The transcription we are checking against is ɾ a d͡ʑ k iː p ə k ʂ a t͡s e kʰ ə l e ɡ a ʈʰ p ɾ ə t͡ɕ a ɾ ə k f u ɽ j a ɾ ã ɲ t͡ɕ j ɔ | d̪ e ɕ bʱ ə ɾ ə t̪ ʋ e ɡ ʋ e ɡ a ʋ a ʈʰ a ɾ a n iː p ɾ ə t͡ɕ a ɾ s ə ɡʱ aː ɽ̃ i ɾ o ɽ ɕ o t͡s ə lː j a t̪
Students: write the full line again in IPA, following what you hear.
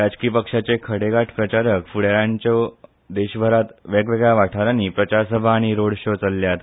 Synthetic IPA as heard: ɾ a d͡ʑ k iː p ə k ʂ a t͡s e kʰ ə ɽ e ɡ a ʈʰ p ɾ ə t͡ɕ a ɾ ə k f u ɽ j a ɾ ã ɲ t͡ɕ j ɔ | d̪ e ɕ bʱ ə ɾ a t̪ ʋ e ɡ ʋ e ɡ a ʋ a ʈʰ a ɾ a n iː p ɾ ə t͡ɕ a ɾ s ə bʱ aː ɽ̃ i ɾ o ɽ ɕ o t͡s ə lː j a t̪